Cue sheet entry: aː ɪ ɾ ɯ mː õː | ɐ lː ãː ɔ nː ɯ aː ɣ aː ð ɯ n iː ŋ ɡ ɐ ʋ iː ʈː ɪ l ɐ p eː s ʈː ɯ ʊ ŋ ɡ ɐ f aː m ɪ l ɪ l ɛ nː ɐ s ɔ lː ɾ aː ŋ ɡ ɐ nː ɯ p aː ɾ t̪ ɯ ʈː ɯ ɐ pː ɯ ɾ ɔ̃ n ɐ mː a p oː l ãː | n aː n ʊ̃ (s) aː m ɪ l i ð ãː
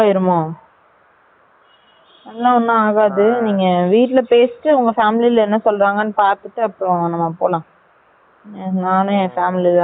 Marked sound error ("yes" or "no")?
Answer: yes